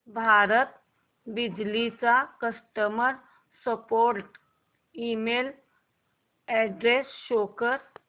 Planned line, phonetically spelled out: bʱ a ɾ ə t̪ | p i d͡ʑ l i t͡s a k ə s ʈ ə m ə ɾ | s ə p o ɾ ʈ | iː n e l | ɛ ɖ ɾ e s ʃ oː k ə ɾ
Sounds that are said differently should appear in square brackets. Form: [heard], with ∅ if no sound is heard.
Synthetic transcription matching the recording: bʱ a ɾ ə t̪ | [b] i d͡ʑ l i t͡s a k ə s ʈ ə m ə ɾ | s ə p o ɾ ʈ | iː [m] e l | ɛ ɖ ɾ e s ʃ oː k ə ɾ